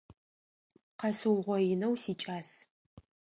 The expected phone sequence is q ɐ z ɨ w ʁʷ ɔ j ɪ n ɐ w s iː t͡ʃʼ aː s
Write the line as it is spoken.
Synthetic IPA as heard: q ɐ s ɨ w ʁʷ ɔ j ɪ n ɐ w s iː t͡ʃʼ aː s